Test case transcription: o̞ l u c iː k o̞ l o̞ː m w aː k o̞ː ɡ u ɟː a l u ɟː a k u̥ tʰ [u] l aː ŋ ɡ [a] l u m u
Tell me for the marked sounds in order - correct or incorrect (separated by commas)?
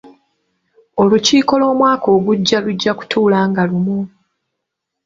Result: incorrect, correct